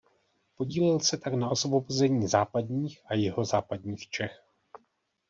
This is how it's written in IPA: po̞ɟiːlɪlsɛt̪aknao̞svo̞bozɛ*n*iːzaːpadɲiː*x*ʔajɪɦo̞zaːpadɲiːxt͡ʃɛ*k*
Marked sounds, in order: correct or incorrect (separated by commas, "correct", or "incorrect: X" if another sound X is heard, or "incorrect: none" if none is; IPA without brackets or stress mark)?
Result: incorrect: ɲ, correct, incorrect: x